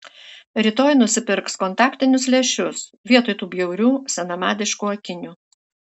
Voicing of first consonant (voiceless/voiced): voiced